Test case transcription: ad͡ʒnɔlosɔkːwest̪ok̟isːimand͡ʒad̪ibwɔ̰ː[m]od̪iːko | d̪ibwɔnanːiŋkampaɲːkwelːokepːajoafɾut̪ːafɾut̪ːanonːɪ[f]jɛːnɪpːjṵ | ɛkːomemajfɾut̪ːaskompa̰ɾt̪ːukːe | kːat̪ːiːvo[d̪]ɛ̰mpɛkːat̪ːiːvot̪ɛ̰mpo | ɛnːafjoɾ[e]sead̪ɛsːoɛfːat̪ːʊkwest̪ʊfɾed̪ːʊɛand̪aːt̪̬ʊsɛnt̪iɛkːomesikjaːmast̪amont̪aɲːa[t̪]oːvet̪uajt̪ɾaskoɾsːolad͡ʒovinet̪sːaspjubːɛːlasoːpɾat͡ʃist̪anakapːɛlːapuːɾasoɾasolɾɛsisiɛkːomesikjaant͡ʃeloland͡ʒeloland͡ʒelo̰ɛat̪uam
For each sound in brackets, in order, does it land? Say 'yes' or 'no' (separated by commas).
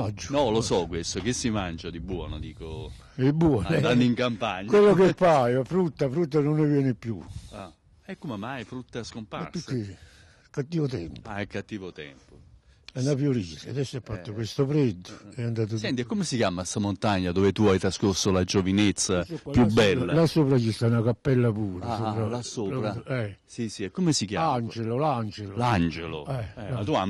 no, no, no, no, no